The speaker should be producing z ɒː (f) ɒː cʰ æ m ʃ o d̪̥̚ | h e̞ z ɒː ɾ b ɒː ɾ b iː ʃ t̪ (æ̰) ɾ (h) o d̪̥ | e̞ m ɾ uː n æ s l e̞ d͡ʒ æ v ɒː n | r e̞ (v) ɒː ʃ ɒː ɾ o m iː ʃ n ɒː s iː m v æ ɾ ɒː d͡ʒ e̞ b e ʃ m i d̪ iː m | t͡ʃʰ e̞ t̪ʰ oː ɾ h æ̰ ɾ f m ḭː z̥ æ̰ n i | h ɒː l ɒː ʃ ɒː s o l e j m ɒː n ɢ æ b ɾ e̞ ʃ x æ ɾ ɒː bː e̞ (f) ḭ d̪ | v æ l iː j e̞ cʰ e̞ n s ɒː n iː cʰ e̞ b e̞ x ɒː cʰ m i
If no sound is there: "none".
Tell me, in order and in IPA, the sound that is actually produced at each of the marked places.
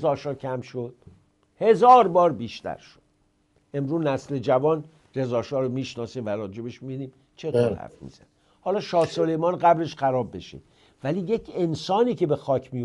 ʃ, æ̰, ʃ, z, ʃ

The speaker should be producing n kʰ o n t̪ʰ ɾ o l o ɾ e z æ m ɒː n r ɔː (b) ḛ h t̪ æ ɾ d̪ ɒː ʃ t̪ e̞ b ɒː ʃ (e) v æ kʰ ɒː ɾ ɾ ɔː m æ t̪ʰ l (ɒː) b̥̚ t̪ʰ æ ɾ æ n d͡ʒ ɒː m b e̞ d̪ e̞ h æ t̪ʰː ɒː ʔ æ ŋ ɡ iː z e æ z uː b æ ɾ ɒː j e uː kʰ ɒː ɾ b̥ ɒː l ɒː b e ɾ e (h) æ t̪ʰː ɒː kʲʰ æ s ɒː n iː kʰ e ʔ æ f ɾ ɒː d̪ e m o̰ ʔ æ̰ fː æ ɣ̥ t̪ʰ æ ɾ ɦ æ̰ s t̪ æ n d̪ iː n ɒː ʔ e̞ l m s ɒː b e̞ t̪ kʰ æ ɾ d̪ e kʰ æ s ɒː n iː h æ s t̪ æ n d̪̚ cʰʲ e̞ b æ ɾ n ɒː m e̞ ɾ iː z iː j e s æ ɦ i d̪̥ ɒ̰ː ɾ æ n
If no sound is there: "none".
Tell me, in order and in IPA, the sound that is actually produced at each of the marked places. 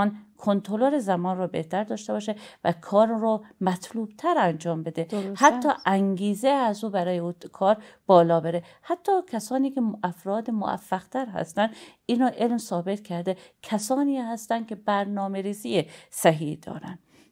b, e, uː, h

